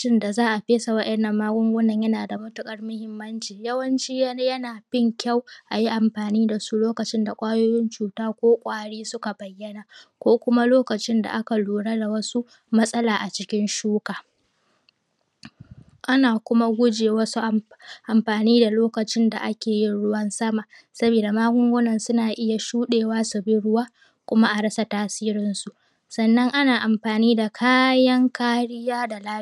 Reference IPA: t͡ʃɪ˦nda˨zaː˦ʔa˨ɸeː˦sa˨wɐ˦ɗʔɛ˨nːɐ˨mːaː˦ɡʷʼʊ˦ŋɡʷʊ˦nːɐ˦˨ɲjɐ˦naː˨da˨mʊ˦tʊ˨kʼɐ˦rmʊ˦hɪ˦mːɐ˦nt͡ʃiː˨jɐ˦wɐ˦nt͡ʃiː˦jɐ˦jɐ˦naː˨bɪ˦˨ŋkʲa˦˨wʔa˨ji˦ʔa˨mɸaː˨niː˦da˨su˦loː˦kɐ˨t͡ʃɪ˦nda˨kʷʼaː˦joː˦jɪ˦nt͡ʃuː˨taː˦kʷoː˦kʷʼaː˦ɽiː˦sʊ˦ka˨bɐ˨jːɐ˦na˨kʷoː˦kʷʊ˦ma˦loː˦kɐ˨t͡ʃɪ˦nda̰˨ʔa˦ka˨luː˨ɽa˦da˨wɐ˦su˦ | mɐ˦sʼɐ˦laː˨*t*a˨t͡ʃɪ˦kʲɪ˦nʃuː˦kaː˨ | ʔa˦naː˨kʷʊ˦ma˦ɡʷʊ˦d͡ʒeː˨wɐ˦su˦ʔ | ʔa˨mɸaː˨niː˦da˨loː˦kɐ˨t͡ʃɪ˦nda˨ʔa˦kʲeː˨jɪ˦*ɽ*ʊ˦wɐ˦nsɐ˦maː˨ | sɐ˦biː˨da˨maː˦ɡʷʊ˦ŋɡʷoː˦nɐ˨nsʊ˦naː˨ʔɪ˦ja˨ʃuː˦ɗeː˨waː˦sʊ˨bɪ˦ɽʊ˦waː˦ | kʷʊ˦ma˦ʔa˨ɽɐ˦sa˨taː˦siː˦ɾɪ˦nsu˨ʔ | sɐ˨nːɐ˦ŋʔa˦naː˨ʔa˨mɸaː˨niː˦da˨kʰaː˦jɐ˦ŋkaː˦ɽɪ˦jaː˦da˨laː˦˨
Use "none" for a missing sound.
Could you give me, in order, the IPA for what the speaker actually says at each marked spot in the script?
ʔ, ɽ

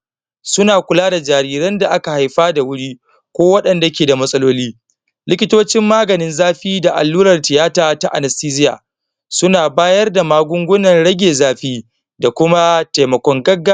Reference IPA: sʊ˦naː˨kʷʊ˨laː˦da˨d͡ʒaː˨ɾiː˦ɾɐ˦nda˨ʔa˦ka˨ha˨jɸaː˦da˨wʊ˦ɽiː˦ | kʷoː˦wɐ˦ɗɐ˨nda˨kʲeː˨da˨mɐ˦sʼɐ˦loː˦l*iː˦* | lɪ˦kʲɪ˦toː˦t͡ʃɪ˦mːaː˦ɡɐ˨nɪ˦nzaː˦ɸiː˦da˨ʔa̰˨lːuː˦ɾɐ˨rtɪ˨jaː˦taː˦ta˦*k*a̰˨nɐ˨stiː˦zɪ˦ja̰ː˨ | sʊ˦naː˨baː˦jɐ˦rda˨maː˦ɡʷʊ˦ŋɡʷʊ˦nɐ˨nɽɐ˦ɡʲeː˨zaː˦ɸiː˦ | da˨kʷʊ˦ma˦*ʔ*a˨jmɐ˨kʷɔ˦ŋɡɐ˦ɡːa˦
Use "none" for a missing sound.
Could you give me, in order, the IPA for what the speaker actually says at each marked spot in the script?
iː˦, ʔ, t

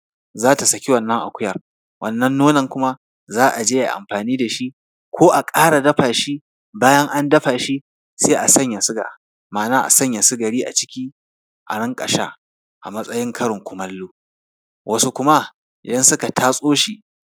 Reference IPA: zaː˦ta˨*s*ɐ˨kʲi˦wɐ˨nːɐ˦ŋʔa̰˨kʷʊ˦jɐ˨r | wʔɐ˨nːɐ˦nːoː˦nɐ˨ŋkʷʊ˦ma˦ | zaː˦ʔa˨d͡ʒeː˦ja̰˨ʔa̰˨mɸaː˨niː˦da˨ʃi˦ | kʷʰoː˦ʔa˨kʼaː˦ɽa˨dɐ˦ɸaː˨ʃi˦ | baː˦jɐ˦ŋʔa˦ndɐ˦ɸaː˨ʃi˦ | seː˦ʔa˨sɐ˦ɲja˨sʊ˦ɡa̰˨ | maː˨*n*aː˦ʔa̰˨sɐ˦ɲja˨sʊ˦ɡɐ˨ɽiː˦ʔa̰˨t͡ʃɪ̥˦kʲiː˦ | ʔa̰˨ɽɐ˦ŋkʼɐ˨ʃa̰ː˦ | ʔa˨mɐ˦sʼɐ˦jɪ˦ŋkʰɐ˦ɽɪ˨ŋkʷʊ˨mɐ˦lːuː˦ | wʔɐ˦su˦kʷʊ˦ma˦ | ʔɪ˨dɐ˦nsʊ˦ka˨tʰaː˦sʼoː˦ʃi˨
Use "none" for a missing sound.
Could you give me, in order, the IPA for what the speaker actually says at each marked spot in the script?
s, n

